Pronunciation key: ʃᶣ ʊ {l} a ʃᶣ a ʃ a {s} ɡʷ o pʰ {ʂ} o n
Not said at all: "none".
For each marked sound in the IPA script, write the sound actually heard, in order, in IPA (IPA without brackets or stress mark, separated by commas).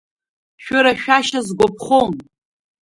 ɾ, z, χ